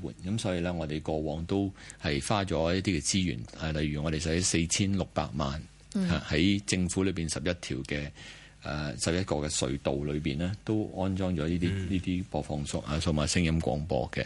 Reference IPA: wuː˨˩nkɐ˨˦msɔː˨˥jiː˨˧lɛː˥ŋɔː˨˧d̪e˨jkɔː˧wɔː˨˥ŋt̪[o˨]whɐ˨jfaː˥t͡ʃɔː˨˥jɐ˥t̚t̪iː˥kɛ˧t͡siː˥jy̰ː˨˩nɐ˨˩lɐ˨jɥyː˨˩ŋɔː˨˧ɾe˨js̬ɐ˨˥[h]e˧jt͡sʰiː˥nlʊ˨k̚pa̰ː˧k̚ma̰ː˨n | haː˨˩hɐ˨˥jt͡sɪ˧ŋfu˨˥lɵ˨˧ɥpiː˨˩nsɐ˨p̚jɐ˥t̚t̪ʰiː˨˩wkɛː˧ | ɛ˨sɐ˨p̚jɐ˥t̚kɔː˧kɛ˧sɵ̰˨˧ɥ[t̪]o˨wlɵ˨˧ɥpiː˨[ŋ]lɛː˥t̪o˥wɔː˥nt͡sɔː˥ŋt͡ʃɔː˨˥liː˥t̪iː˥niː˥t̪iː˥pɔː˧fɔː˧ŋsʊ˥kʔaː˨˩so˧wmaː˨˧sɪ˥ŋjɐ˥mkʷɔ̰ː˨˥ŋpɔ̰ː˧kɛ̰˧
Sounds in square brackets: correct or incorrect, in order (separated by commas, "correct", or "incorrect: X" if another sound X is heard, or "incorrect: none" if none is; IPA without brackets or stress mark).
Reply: incorrect: o˥, incorrect: s, correct, incorrect: n